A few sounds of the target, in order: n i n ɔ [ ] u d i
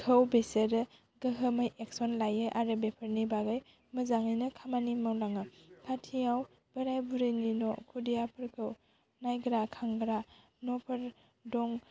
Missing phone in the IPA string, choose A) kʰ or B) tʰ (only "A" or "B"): A